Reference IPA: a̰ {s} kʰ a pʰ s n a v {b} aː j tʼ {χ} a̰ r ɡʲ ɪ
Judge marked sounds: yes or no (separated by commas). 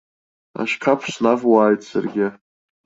no, no, no